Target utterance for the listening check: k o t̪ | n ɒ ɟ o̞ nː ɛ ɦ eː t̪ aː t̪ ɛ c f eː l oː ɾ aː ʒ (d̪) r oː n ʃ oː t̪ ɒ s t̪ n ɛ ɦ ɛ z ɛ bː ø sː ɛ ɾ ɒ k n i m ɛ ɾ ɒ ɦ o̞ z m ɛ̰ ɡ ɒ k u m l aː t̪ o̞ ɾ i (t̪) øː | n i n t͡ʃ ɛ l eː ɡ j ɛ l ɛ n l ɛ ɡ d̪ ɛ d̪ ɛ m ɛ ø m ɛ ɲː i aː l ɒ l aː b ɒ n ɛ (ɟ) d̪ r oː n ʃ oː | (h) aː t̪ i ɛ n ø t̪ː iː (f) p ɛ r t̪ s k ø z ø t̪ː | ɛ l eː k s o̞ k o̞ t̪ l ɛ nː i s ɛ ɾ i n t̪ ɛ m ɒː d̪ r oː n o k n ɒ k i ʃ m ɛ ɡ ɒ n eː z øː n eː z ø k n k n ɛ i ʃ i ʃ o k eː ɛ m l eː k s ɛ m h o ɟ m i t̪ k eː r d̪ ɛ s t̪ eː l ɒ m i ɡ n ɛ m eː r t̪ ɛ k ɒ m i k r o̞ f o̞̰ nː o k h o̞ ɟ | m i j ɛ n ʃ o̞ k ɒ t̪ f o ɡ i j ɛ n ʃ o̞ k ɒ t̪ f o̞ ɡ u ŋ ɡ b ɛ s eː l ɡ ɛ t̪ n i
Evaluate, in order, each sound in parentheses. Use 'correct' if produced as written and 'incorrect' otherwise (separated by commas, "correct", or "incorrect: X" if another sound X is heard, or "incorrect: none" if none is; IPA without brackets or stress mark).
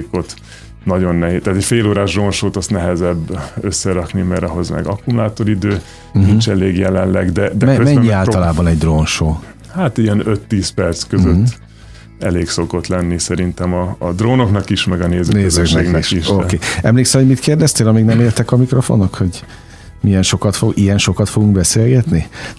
correct, incorrect: d̪, correct, correct, incorrect: s